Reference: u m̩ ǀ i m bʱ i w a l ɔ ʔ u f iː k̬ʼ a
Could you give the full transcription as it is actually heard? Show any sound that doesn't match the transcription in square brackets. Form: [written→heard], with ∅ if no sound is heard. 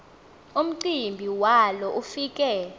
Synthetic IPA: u m̩ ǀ i m bʱ i w a l ɔ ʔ u f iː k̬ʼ [a→ɛ]